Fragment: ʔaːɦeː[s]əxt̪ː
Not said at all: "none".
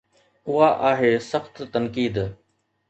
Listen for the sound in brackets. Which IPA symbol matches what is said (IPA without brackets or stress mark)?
s